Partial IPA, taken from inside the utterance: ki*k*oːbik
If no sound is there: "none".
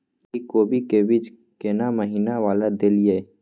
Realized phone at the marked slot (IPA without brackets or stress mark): k